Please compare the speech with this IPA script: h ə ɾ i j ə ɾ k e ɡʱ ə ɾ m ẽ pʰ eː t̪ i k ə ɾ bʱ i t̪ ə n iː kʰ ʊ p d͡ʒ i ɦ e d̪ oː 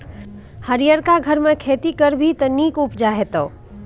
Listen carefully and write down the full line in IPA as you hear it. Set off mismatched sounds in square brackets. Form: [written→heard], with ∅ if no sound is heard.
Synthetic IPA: h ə ɾ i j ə ɾ k [e→a] ɡʱ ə ɾ m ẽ [pʰ→kʰ] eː t̪ i k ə ɾ bʱ i t̪ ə n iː [kʰ→k] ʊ p d͡ʒ [i→a] ɦ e [d̪→t̪] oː